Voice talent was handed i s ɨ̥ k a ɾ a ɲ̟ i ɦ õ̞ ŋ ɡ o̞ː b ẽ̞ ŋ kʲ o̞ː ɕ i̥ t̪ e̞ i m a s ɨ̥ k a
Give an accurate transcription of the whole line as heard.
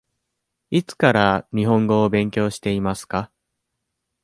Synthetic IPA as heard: i t͡s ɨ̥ k a ɾ a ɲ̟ i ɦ õ̞ ŋ ɡ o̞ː b ẽ̞ ŋ kʲ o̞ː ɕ i̥ t̪ e̞ i m a s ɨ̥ k a